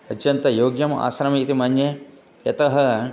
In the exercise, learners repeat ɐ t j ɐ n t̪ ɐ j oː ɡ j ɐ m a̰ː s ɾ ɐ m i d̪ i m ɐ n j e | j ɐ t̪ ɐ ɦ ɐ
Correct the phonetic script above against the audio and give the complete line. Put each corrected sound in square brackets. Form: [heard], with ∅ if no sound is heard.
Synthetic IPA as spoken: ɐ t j ɐ n t̪ ɐ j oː ɡ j ɐ m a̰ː s ɾ ɐ m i [t̪] i m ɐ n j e | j ɐ t̪ ɐ ɦ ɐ